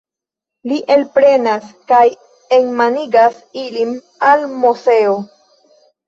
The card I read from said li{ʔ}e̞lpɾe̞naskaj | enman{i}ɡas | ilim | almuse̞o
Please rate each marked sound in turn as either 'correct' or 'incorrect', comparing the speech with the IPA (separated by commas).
correct, correct